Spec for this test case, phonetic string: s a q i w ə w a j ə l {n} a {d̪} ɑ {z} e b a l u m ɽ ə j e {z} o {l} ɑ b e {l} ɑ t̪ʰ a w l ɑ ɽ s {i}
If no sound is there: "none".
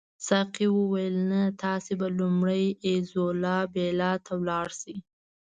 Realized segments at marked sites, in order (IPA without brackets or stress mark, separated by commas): n, t̪, s, z, l, l, i